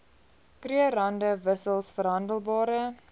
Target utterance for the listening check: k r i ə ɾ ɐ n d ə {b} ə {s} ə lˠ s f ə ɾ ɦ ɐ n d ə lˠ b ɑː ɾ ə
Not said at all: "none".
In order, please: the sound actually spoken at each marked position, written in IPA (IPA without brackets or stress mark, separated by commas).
v, s